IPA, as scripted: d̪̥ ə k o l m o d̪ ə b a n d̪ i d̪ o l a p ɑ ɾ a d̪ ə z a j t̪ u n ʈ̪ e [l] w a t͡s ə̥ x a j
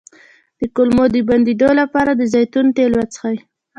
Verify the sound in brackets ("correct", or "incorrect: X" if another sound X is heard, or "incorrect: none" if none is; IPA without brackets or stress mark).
correct